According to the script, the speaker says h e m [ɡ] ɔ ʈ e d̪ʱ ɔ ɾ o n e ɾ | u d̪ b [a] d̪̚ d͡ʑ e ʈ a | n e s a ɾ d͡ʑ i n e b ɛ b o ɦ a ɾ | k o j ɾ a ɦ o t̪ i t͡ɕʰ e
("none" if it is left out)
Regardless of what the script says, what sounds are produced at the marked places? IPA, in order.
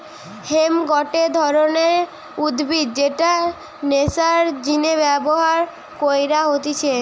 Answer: ɡ, i

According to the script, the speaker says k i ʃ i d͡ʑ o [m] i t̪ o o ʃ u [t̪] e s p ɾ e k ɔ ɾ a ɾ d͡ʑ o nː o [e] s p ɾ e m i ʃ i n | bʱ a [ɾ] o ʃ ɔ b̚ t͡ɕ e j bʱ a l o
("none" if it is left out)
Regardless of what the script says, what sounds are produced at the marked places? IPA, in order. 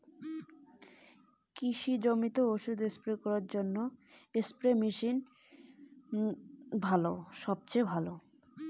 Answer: m, d̪, e, l

